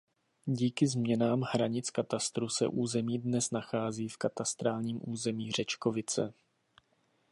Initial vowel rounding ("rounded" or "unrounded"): unrounded